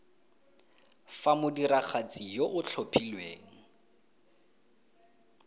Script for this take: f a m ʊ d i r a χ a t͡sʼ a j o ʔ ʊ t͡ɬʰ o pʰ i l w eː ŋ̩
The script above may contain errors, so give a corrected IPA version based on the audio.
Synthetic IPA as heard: f a m ʊ d i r a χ a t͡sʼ i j o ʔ ʊ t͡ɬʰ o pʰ i l w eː ŋ̩